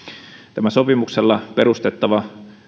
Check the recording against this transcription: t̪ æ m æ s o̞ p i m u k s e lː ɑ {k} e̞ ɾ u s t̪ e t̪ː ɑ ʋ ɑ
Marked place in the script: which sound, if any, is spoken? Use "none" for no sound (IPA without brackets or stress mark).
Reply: p